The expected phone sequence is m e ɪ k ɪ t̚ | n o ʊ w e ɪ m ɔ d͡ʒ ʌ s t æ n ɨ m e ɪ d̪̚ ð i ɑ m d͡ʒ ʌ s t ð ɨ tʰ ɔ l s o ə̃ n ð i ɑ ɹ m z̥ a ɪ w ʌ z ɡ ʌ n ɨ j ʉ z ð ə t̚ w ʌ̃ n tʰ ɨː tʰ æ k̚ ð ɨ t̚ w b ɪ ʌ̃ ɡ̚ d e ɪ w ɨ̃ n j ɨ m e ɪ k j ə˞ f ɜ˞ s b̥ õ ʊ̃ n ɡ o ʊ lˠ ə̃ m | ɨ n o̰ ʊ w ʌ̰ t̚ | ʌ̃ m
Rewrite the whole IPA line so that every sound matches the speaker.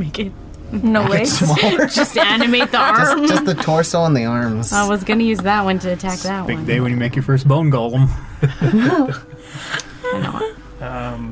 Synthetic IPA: m e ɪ k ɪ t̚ | n o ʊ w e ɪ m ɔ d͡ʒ ʌ s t æ n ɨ m e ɪ t̪̚ ð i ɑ m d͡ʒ ʌ s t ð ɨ tʰ ɔ ɹ s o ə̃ n ð i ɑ ɹ m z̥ a ɪ w ʌ z ɡ ʌ n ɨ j ʉ z ð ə t̚ w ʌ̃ n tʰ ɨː tʰ æ k̚ ð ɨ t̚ w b ɪ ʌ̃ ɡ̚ d e ɪ w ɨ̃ n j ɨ m e ɪ k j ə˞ f ɜ˞ s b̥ õ ʊ̃ n ɡ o ʊ lˠ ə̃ m | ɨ n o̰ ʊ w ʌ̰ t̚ | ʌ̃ m